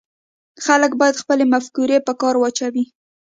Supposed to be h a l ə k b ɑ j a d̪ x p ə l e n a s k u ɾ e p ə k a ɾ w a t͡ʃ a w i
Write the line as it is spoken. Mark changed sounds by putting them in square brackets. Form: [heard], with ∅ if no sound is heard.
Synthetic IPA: [x] a l ə k b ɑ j a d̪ x p ə l e [m] a [f] k u ɾ e p ə k [ɑ] ɾ w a t͡ʃ a w i